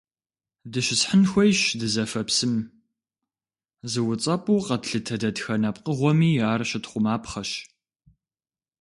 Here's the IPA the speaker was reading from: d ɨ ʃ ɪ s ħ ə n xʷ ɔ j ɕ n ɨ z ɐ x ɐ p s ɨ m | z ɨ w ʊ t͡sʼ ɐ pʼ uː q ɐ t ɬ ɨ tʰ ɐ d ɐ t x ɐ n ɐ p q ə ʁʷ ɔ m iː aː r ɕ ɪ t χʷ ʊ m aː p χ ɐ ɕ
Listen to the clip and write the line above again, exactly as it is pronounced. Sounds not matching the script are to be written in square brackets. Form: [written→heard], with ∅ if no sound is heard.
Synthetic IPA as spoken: d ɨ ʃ ɪ s ħ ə n xʷ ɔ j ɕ [n→d] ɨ z ɐ [x→f] ɐ p s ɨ m | z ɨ w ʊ t͡sʼ ɐ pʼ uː q ɐ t ɬ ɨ tʰ ɐ d ɐ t x ɐ n ɐ p q ə ʁʷ ɔ m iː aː r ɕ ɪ t χʷ ʊ m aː p χ ɐ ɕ